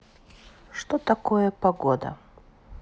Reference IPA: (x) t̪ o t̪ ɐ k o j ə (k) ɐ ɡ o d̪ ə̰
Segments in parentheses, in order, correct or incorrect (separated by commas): incorrect, incorrect